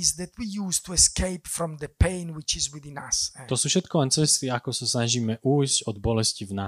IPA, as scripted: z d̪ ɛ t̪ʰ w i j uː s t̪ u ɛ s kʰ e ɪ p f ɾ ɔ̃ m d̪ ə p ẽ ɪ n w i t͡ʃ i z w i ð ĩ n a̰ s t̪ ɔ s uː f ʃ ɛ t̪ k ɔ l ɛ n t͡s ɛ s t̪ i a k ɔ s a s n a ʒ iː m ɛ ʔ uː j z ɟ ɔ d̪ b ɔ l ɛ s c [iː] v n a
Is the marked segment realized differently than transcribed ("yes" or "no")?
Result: yes